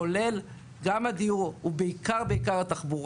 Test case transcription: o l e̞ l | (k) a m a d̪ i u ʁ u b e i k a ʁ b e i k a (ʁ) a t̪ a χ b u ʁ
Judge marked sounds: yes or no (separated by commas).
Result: no, yes